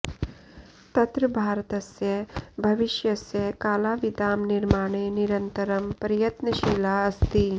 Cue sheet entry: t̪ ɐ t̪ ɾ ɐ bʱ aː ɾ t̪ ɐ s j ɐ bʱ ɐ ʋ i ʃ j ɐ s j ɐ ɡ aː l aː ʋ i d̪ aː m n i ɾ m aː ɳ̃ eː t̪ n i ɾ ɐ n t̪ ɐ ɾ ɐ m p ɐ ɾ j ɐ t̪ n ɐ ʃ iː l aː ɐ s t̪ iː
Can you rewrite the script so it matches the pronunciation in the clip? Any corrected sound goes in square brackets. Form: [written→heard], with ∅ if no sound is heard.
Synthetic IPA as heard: t̪ ɐ t̪ ɾ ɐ bʱ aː ɾ t̪ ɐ s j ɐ bʱ ɐ ʋ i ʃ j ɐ s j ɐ [ɡ→k] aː l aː ʋ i d̪ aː m n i ɾ m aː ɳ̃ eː [t̪→∅] n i ɾ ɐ n t̪ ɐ ɾ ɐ m p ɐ ɾ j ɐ t̪ n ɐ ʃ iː l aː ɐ s t̪ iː